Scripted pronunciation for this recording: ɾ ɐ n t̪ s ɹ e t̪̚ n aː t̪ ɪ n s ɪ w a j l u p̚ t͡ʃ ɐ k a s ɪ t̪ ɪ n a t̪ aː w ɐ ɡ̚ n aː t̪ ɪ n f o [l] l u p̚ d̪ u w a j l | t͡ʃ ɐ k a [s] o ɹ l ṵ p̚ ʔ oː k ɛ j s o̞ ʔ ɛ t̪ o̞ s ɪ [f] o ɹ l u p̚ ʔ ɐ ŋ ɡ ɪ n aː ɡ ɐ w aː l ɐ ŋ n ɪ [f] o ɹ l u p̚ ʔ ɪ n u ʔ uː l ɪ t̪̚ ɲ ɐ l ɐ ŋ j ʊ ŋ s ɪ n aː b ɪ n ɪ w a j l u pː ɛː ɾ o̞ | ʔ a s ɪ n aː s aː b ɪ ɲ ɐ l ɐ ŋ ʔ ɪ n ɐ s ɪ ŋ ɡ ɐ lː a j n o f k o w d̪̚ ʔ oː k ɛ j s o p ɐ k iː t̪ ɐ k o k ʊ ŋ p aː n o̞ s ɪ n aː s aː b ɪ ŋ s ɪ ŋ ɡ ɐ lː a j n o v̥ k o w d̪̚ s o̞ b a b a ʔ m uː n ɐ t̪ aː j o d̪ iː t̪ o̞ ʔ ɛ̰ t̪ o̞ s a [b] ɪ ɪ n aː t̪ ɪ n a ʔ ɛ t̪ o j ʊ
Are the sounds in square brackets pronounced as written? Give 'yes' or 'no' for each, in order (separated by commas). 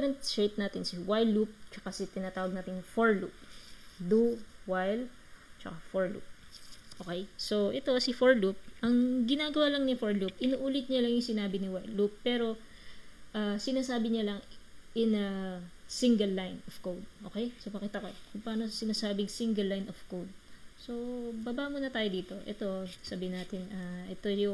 no, no, yes, yes, yes